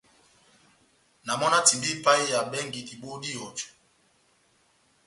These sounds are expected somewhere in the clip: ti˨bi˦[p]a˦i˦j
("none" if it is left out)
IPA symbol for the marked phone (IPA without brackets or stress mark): p